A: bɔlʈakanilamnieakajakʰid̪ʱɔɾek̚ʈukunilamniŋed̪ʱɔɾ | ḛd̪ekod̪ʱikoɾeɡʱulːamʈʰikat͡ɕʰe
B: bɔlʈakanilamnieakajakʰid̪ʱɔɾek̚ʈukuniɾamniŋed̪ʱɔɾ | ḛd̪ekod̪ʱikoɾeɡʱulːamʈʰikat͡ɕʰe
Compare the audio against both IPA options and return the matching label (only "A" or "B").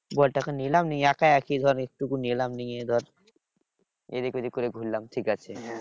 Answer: A